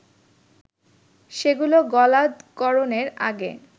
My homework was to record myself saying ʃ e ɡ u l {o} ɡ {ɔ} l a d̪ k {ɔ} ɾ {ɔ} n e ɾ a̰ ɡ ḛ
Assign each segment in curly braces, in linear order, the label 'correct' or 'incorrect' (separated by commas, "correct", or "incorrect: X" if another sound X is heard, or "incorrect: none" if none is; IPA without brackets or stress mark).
correct, correct, correct, incorrect: o